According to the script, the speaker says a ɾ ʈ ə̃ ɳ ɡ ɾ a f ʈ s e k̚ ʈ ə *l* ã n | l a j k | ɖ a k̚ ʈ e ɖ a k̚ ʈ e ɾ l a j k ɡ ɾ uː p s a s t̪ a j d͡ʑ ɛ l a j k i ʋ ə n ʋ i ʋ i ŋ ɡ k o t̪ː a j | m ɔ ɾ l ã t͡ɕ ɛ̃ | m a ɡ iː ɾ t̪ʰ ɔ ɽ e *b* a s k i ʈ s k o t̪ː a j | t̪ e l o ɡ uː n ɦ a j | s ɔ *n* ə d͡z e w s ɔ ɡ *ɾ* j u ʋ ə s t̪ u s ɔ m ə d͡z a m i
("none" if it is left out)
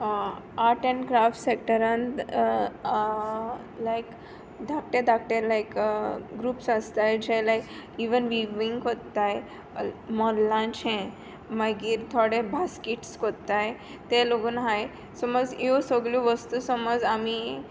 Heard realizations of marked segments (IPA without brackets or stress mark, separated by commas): ɾ, b, m, l